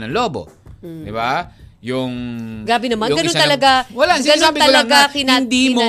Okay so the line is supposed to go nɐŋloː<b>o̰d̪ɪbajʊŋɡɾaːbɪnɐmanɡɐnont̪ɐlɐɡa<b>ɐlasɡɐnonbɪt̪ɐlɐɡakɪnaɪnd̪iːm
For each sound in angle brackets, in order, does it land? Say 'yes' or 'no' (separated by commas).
yes, no